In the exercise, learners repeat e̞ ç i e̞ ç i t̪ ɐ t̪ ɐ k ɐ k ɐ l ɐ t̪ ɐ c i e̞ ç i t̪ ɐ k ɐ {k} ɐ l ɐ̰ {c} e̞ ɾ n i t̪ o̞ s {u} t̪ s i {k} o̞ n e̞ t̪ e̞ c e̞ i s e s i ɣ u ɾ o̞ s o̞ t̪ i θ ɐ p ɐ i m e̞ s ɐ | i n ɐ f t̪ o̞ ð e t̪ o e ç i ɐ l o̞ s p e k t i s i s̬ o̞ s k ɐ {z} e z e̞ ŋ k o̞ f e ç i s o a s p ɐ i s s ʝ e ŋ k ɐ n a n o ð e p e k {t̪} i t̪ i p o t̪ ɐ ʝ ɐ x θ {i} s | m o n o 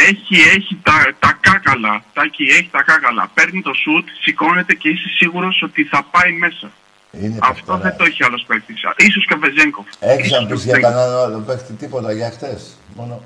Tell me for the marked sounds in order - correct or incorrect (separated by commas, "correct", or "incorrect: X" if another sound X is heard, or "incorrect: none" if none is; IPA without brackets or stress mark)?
correct, incorrect: p, correct, correct, incorrect: v, correct, incorrect: e